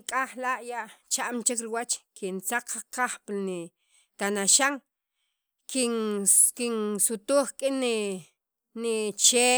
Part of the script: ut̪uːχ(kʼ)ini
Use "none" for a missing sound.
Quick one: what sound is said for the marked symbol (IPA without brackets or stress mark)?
kʼ